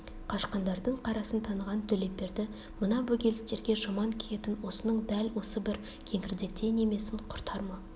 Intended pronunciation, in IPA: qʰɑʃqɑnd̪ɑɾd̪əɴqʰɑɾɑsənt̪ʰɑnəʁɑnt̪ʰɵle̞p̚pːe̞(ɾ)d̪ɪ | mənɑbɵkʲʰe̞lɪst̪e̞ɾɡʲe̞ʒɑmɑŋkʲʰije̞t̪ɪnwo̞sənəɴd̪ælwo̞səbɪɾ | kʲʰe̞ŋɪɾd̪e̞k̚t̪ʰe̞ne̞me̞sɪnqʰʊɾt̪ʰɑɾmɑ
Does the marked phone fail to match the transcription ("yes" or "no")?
no